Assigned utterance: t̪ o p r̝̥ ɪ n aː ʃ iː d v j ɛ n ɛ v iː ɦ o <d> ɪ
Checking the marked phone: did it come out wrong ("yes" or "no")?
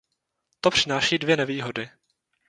no